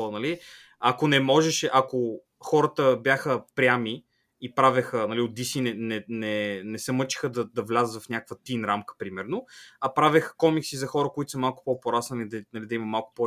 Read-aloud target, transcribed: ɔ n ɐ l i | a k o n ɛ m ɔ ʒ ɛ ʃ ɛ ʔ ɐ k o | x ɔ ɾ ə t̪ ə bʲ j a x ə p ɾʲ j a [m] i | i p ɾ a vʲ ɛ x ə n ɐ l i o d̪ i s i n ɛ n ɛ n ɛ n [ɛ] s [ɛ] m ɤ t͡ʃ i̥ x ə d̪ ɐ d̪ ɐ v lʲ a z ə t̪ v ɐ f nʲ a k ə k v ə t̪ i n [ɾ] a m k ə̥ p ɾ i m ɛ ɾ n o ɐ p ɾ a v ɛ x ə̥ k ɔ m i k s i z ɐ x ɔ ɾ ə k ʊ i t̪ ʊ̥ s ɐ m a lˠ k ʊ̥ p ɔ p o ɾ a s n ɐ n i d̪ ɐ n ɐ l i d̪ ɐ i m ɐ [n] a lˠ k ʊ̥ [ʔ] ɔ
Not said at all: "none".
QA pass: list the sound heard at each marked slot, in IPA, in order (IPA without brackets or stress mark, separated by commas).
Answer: m, ɛ, ɛ, ɾ, m, p